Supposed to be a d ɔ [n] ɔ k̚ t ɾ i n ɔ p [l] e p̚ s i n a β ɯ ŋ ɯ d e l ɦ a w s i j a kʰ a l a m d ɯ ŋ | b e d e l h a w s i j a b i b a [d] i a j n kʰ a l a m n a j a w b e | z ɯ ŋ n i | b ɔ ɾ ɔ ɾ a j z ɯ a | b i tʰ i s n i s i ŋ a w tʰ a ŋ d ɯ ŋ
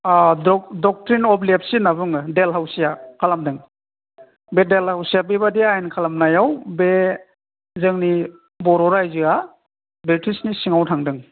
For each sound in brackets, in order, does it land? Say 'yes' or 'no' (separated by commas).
no, yes, yes